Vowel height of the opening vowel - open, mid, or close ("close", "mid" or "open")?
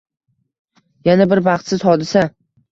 open